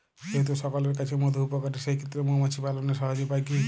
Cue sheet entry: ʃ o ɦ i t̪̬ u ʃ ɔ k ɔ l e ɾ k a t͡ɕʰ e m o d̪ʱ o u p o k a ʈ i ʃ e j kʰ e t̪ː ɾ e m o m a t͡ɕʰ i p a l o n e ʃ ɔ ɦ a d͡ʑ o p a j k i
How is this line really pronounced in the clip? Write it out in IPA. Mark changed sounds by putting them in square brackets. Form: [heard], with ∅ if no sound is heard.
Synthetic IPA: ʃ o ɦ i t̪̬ u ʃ ɔ k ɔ l e ɾ k a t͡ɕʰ e m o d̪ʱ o u p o k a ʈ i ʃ e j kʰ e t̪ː ɾ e m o m a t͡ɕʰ i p a l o n e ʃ ɔ ɦ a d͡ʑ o p a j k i